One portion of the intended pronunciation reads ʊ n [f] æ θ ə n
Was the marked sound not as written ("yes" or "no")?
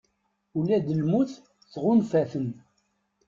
no